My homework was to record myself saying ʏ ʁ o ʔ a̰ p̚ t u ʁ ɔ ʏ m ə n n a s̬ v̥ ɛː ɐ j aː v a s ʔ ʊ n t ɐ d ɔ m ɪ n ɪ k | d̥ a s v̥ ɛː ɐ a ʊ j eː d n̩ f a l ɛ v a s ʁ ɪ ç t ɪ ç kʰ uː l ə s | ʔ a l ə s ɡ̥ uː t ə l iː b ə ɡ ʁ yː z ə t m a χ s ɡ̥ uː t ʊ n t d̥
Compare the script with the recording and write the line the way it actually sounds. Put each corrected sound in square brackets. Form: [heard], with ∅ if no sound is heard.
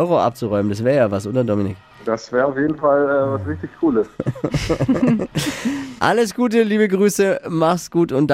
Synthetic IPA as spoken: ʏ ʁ o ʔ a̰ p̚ [t͡s] u ʁ ɔ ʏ m ə n [d] a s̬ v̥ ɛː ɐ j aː v a s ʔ ʊ n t ɐ d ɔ m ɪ n ɪ k | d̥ a s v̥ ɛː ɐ a ʊ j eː d n̩ f a l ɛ v a s ʁ ɪ ç t ɪ ç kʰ uː l ə s | ʔ a l ə s ɡ̥ uː t ə l iː b ə ɡ ʁ yː [s] ə [∅] m a χ s ɡ̥ uː t ʊ n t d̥